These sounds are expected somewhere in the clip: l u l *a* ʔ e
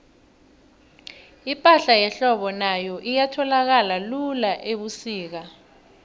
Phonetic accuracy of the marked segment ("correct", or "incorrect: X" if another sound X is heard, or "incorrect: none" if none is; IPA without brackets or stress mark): correct